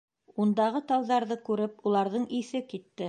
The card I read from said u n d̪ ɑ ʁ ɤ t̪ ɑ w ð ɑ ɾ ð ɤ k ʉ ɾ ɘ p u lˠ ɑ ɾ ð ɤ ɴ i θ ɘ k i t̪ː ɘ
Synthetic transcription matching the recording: u n d̪ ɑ ʁ ɤ t̪ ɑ w ð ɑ ɾ ð ɤ k ʉ ɾ ɘ p u lˠ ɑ ɾ ð ɤ ɴ i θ ɘ k i t̪ː ɘ